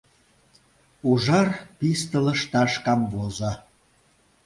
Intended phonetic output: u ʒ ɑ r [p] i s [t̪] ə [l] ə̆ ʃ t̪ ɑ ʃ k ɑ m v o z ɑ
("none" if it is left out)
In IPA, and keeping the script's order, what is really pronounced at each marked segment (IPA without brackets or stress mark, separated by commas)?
p, t̪, l